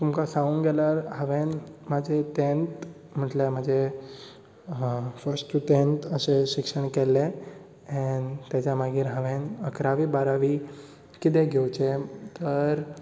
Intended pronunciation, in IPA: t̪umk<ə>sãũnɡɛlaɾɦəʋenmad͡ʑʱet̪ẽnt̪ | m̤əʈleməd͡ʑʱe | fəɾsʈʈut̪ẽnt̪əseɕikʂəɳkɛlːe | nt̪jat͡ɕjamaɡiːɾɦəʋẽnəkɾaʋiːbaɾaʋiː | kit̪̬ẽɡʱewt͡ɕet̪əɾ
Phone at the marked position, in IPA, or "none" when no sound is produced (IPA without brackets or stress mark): a